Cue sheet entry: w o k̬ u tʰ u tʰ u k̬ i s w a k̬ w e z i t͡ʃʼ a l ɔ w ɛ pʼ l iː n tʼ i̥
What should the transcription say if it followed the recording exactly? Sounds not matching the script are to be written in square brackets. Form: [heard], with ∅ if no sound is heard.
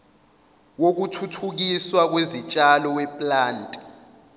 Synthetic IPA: w o k̬ u tʰ u tʰ u k̬ i s w a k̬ w e z i t͡ʃʼ a l ɔ w ɛ pʼ l [aː] n tʼ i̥

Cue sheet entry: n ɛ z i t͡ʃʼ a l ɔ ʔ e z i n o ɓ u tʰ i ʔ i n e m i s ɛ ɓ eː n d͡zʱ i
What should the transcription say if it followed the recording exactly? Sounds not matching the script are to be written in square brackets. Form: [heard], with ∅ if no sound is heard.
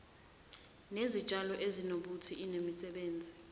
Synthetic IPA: n [e] z i t͡ʃʼ a l ɔ ʔ e z i n o ɓ u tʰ i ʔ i n e m i s ɛ ɓ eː n d͡zʱ i

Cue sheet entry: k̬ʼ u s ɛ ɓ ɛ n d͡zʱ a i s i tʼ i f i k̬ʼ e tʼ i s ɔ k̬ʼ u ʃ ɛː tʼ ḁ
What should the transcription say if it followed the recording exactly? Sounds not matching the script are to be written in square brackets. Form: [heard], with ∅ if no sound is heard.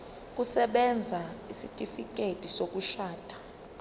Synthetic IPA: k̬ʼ u s ɛ ɓ ɛ n d͡zʱ a i s i tʼ i f i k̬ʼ e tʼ i s [o] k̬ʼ u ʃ [aː] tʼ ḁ

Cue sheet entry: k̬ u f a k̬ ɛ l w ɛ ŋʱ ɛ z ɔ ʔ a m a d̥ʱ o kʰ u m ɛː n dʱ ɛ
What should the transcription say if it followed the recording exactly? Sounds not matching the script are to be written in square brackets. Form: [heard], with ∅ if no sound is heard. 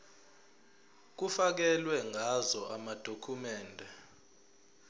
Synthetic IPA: k̬ u f a k̬ ɛ l w ɛ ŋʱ [a] z ɔ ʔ a m a d̥ʱ o kʰ u m ɛː n dʱ ɛ

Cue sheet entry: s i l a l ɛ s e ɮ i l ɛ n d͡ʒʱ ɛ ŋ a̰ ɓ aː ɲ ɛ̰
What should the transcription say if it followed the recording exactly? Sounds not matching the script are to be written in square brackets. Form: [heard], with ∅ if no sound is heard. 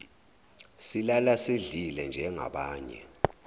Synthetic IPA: s i l a l [a] s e ɮ i l ɛ n d͡ʒʱ ɛ ŋ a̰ ɓ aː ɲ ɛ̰

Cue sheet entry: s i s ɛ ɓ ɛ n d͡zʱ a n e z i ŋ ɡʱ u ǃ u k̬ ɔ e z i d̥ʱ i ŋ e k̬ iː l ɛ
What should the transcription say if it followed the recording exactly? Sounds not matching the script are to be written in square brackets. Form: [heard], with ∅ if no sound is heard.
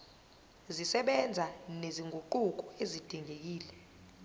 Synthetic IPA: [z] i s ɛ ɓ ɛ n d͡zʱ a n e z i ŋ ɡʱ u ǃ u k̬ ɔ e z i d̥ʱ i ŋ e k̬ iː l ɛ

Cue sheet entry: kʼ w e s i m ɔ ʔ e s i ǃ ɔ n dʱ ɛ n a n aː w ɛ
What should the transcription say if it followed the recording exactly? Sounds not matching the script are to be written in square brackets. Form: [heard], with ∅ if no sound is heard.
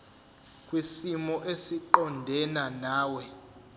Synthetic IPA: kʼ w [i] s i m ɔ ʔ e s i ǃ ɔ n dʱ ɛ n a n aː w ɛ

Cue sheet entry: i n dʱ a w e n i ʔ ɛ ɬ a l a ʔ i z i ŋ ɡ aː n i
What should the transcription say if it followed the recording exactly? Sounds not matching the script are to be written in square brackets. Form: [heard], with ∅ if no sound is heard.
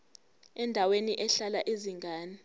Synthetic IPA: [ɛ] n dʱ a w e n i ʔ ɛ ɬ a l a ʔ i z i ŋ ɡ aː n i

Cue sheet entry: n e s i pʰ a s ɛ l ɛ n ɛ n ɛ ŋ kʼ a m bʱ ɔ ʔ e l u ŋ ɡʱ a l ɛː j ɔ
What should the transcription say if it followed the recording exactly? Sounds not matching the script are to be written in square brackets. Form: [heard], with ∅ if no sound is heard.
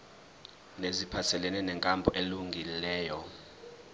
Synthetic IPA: n e [z] i pʰ a s ɛ l ɛ n ɛ n ɛ ŋ kʼ a m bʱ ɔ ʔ e l u ŋ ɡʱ [i] l ɛː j ɔ

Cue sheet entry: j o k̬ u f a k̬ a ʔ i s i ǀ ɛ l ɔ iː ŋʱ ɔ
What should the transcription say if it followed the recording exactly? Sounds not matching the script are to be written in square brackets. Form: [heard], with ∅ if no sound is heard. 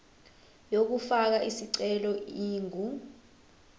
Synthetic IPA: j o k̬ u f a k̬ a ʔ i s i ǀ ɛ l ɔ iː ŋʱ [u]

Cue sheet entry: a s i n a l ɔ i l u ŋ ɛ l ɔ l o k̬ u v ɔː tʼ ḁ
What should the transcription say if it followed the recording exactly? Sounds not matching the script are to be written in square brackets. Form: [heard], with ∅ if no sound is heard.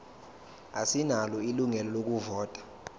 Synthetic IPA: a s i n a l ɔ i l u ŋ ɛ l ɔ l o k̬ u v ɔː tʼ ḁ

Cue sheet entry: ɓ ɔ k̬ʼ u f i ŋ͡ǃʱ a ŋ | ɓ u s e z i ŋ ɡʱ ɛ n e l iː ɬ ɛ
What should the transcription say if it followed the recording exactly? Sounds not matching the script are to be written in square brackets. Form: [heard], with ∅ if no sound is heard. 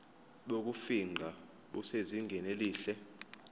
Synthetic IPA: ɓ [o] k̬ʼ u f i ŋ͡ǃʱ a [∅] | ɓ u s e z i ŋ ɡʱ ɛ n e l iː ɬ ɛ

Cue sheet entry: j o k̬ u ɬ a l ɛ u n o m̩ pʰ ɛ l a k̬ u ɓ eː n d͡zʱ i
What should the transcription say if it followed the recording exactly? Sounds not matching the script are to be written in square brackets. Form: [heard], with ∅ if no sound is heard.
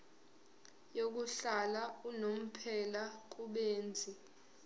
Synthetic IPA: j o k̬ u ɬ a l [a] u n o m̩ pʰ ɛ l a k̬ u ɓ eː n d͡zʱ i

